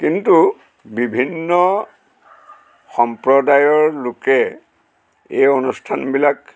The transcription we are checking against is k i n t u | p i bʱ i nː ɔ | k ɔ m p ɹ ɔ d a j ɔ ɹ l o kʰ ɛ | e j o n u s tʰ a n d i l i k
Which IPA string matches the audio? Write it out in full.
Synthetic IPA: k i n t u | b i bʱ i nː ɔ | x ɔ m p ɹ ɔ d a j ɔ ɹ l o k ɛ | e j o n u s tʰ a n b i l a k